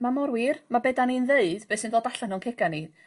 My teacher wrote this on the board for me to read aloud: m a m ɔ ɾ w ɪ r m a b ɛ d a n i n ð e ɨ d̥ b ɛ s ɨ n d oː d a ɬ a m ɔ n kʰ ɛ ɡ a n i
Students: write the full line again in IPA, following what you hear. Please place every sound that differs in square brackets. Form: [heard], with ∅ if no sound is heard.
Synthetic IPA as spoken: m a m ɔ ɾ w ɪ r m a b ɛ d a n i n ð e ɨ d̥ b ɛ s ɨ n d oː d a ɬ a [n] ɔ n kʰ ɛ ɡ a n i